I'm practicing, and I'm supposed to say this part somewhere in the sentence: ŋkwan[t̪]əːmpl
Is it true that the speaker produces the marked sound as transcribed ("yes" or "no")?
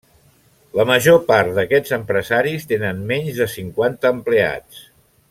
yes